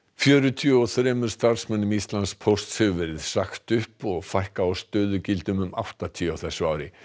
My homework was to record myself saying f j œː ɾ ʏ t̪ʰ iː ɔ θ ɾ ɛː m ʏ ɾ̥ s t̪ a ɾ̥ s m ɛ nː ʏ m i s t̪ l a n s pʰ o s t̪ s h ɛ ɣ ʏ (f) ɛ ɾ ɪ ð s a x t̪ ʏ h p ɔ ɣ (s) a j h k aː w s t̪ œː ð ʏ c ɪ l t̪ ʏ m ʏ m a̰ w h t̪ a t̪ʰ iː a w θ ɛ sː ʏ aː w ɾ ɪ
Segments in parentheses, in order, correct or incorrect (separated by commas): incorrect, incorrect